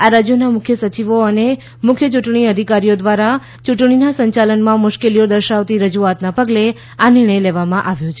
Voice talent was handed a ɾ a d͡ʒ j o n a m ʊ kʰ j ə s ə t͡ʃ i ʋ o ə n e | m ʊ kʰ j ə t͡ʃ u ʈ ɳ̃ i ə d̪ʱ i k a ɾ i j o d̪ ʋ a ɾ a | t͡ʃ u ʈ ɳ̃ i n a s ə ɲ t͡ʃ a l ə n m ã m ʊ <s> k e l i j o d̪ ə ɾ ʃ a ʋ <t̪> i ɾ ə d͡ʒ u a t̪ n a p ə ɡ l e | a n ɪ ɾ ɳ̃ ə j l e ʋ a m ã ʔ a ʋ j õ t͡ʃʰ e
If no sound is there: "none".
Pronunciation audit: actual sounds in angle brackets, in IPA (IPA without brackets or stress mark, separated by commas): ʃ, t̪